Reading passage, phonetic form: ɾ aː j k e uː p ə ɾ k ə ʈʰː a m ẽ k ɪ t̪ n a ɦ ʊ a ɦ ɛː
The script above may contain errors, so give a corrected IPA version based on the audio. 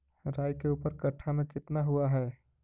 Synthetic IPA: ɾ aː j k e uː p ə ɾ k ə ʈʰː a m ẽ k ɪ t̪ n a ɦ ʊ a ɦ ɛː